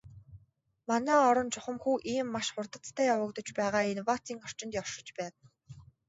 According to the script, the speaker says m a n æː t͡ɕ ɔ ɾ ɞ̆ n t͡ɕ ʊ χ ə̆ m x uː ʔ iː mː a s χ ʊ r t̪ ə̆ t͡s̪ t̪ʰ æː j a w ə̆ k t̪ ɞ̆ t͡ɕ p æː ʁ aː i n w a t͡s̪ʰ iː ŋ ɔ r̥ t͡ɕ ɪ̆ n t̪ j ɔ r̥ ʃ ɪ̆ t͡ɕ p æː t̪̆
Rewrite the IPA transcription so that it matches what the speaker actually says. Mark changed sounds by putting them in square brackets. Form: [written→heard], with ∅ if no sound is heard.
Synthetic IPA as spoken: m a n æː [t͡ɕ→∅] ɔ ɾ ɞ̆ n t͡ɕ ʊ χ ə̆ m x uː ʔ iː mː a [s→ʃ] χ ʊ r t̪ ə̆ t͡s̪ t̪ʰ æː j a w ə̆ k t̪ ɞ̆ t͡ɕ p æː ʁ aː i n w a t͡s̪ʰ iː ŋ ɔ r̥ t͡ɕ ɪ̆ n t̪ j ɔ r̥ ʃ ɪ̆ t͡ɕ p æː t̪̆